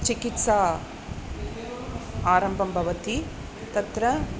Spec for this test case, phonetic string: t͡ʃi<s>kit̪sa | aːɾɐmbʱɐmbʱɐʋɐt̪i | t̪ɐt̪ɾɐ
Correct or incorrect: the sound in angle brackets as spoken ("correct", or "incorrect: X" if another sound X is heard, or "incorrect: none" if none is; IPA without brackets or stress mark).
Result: incorrect: none